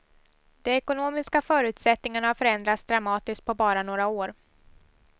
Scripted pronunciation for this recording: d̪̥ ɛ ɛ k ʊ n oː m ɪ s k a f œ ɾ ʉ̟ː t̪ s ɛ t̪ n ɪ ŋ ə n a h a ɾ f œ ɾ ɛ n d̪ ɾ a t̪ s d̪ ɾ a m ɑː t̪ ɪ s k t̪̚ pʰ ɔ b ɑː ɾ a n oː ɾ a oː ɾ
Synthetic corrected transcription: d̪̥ ɛ ɛ k ʊ n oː m ɪ s k a f œː ɾ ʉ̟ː t̪ s ɛ t̪ n ɪ ŋ a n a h a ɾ f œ ɾ ɛ n d̪ ɾ a t̪ s d̪ ɾ a m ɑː t̪ ɪ s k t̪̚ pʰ ɔ b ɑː ɾ a n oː ɾ a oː ɾ